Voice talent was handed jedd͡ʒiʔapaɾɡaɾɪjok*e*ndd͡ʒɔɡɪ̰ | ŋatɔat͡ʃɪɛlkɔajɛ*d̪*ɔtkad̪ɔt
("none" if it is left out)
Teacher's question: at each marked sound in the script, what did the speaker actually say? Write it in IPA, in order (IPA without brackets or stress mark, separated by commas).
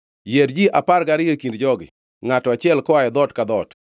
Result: i, d̪